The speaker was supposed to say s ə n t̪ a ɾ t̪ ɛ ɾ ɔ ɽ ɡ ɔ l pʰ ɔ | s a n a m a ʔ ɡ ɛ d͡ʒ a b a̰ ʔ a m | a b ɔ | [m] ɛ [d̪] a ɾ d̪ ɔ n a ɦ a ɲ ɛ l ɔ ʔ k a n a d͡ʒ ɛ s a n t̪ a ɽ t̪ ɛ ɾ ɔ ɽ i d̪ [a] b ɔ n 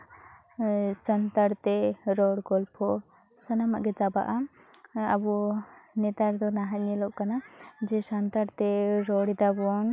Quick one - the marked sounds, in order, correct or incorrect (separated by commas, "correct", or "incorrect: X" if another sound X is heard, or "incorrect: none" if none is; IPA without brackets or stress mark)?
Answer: incorrect: n, incorrect: t̪, correct